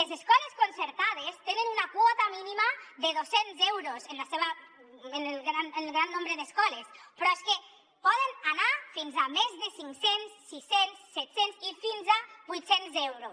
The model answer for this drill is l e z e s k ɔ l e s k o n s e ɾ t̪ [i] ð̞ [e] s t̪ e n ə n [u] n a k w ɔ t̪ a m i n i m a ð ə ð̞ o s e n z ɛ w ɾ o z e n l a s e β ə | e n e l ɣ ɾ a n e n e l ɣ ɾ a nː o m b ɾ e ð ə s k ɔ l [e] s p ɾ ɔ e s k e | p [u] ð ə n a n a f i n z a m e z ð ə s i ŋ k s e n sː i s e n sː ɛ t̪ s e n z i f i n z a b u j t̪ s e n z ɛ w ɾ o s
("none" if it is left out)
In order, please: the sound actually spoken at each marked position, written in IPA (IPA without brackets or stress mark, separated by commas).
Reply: a, e, u, e, ɔ